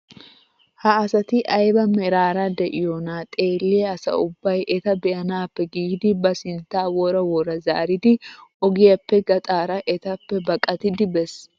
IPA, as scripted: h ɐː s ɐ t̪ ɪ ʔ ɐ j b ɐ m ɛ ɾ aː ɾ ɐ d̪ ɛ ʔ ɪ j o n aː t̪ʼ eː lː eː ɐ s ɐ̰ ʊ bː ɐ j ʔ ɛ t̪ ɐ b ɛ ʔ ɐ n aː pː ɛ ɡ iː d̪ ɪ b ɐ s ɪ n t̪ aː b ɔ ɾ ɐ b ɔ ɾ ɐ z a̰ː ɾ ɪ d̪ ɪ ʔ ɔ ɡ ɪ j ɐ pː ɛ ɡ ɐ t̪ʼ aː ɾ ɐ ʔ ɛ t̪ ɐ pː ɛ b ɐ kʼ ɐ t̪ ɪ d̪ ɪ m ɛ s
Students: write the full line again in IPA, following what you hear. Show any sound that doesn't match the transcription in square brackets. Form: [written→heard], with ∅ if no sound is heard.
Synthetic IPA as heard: h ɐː s ɐ t̪ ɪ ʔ ɐ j b ɐ m ɛ ɾ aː ɾ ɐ d̪ ɛ ʔ ɪ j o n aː t̪ʼ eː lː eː ɐ s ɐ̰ ʊ bː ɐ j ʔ ɛ t̪ ɐ b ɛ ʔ ɐ n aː pː ɛ ɡ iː d̪ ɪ b ɐ s ɪ n t̪ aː [b→w] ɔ ɾ ɐ [b→w] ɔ ɾ ɐ z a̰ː ɾ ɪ d̪ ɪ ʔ ɔ ɡ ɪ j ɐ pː ɛ ɡ ɐ t̪ʼ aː ɾ ɐ ʔ ɛ t̪ ɐ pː ɛ b ɐ kʼ ɐ t̪ ɪ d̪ ɪ [m→b] ɛ s